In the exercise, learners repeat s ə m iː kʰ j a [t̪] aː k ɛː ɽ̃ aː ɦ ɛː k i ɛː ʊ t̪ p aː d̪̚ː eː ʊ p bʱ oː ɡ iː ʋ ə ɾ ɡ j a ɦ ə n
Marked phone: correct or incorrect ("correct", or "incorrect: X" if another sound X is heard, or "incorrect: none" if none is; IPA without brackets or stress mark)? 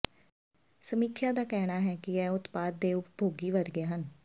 incorrect: d̪